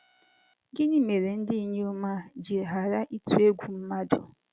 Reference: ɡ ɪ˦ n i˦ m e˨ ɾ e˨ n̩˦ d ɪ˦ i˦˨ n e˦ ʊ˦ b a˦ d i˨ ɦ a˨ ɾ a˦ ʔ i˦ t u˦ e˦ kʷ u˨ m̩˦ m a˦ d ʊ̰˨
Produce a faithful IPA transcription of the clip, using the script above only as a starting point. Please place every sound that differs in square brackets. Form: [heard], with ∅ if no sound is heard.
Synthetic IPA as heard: ɡ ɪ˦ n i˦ m e˨ ɾ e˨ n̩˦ d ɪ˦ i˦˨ [ɲ] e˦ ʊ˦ [m] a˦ [d͡ʒ] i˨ ɦ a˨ ɾ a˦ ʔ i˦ t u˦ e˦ [ɡʷ] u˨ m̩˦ m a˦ d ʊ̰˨